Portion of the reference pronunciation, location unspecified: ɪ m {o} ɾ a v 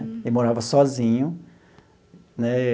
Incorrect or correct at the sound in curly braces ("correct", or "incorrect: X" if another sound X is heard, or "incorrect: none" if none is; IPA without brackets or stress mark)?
correct